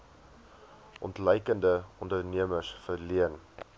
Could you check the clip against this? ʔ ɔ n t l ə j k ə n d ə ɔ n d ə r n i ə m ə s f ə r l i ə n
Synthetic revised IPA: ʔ ɔ n t l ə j k ə n d ə ɔ n d ə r n i ə m ə s f ə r l i ə n